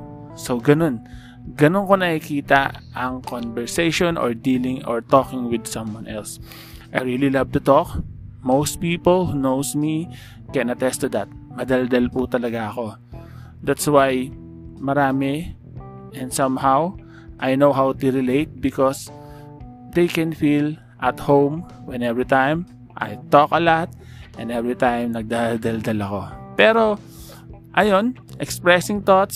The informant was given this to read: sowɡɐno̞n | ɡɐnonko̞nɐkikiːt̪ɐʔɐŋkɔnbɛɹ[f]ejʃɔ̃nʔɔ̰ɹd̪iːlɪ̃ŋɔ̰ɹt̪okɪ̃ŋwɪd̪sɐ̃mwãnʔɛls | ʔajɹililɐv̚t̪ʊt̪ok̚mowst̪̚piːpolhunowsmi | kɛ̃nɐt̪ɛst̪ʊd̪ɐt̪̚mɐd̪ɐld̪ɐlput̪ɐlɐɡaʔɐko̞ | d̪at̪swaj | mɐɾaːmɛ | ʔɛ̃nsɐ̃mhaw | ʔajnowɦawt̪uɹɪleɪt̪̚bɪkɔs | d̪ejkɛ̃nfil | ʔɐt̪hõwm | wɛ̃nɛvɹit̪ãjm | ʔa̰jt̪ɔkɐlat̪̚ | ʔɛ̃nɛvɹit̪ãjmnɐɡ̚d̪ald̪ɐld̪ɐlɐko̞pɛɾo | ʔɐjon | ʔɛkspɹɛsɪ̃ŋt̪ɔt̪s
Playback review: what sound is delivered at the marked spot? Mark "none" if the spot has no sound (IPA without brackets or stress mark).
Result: s